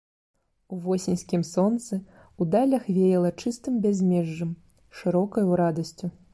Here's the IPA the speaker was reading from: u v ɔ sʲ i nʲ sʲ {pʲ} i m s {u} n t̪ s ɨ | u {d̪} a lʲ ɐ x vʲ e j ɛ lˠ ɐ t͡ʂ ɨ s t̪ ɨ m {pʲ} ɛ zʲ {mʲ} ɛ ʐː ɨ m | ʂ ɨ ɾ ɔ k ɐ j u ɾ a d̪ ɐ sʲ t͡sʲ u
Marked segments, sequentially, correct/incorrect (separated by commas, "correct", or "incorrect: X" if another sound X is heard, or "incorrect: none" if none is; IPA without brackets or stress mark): incorrect: kʲ, incorrect: ɔ, correct, incorrect: bʲ, correct